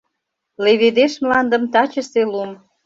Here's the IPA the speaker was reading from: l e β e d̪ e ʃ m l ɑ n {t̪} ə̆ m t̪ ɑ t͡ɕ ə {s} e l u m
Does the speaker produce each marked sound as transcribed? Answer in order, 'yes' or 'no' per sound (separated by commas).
no, yes